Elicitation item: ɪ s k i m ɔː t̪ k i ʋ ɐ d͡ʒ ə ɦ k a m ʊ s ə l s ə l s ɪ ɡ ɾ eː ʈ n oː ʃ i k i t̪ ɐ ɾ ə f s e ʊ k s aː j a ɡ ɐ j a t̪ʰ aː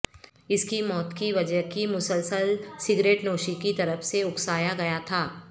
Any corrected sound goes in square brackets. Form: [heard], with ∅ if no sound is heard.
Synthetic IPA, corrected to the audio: ɪ s k i m ɔː t̪ k i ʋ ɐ d͡ʒ ə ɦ k [i] m ʊ s ə l s ə l s ɪ ɡ ɾ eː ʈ n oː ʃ i k i t̪ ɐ ɾ ə f s e ʊ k s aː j a ɡ ɐ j a t̪ʰ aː